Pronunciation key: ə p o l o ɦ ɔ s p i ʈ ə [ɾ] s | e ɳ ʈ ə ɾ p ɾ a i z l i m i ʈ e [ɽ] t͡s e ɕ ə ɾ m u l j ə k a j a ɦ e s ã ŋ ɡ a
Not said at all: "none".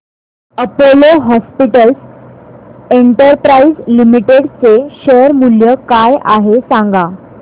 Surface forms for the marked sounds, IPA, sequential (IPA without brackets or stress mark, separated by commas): l, ɽ